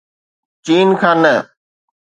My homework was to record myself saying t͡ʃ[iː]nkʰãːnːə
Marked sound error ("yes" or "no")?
no